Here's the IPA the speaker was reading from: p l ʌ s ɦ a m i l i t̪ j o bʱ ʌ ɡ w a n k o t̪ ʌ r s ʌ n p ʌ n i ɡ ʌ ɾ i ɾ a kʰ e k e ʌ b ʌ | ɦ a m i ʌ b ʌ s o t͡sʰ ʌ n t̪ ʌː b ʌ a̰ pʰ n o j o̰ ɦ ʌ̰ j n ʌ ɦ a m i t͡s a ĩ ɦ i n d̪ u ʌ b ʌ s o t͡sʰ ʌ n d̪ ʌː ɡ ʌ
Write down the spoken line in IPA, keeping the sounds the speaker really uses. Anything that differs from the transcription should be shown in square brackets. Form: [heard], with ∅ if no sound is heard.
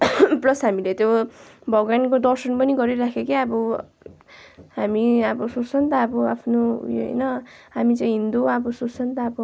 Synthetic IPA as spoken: p l ʌ s ɦ a m i l [e] t̪ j o bʱ ʌ ɡ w a n k o [d̪] ʌ r s ʌ n p ʌ n i ɡ ʌ ɾ i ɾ a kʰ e k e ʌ b ʌ | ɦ a m i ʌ b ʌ s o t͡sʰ ʌ n t̪ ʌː b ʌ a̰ pʰ n o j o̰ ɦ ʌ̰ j n ʌ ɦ a m i t͡s a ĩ ɦ i n d̪ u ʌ b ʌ s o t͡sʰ ʌ n [t̪] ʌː [b] ʌ